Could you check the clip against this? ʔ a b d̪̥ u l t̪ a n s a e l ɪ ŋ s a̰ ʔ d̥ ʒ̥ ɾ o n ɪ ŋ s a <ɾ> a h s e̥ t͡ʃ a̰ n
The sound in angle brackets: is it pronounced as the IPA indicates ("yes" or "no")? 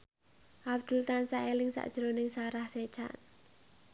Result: yes